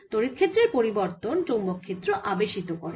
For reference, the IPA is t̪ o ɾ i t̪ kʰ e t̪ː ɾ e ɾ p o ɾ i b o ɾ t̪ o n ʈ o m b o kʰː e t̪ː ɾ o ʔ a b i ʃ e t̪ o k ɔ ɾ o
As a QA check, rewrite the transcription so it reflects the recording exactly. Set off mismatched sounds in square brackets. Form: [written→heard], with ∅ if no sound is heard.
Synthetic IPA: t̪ o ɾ i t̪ kʰ e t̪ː ɾ e ɾ p o ɾ i b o ɾ t̪ o n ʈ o m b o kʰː e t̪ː ɾ o ʔ a b [i→e] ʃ [e→i] t̪ o k ɔ ɾ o